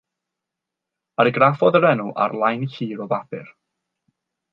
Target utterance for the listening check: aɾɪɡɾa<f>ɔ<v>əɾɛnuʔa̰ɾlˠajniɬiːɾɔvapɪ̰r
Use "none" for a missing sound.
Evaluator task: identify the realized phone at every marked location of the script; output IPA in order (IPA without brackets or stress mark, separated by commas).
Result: f, ð